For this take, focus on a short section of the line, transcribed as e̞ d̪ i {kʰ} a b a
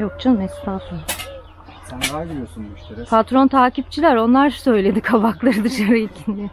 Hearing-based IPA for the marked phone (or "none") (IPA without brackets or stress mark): kʰ